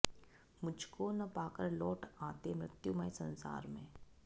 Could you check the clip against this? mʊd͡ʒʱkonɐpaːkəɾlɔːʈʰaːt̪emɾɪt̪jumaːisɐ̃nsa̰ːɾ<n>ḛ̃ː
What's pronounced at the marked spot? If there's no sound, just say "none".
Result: m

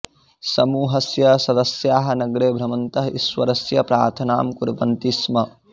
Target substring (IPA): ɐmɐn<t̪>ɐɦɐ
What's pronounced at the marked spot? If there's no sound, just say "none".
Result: t̪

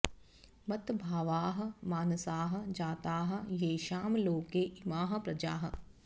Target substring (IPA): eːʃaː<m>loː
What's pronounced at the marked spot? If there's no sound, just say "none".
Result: m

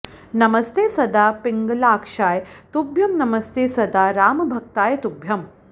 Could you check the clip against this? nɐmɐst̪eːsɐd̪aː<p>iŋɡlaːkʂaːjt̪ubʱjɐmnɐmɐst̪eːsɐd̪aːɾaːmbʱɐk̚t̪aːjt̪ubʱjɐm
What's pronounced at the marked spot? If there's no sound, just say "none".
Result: p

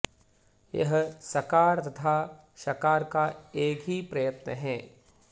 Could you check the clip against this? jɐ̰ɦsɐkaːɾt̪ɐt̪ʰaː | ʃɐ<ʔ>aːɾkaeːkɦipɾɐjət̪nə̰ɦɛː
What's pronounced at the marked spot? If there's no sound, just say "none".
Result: k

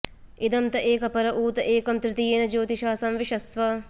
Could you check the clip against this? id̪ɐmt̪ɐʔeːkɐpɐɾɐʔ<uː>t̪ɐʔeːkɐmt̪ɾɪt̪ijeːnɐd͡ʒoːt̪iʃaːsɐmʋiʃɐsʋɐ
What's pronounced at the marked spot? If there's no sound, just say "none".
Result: uː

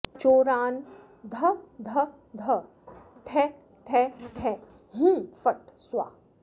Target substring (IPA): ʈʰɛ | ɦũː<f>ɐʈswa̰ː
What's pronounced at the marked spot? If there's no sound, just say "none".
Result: f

